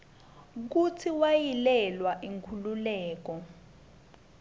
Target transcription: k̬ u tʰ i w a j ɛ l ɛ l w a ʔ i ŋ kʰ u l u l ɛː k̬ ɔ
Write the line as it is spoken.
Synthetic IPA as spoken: k̬ u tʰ i w a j i l ɛ l w a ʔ i ŋ kʰ u l u l ɛː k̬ ɔ